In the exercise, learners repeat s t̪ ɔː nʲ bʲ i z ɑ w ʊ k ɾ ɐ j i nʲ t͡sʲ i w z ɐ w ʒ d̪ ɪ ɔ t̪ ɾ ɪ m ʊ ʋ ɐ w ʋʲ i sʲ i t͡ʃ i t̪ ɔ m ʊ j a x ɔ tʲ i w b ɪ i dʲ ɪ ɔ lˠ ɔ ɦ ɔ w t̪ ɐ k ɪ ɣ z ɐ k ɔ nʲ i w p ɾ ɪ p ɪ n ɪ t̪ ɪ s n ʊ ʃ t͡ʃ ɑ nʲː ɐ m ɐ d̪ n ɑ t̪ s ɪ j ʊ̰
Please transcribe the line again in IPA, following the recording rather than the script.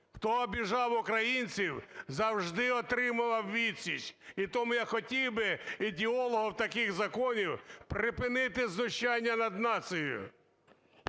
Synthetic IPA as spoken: x t̪ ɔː bʲ i ʒ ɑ w ʊ k ɾ ɐ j i nʲ t͡sʲ i w z ɐ w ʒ d̪ ɪ ɔ t̪ ɾ ɪ m ʊ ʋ ɐ w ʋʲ i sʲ i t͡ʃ i t̪ ɔ m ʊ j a x ɔ tʲ i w b ɪ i dʲ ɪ ɔ lˠ ɔ ɦ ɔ w t̪ ɐ k ɪ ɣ z ɐ k ɔ nʲ i w p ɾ ɪ p ɪ n ɪ t̪ ɪ z n ʊ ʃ t͡ʃ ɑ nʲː ɐ n ɐ d̪ n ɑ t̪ s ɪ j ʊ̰